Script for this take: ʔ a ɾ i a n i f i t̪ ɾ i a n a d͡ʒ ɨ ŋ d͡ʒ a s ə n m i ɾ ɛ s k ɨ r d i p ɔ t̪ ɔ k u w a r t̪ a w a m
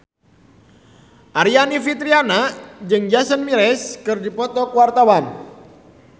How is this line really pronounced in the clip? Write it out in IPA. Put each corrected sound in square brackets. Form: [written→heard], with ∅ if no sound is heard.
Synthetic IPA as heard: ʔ a ɾ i a n i f i t̪ ɾ i a n a d͡ʒ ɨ ŋ d͡ʒ a s ə n m i ɾ ɛ s k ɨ r d i p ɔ t̪ ɔ k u w a r t̪ a w a m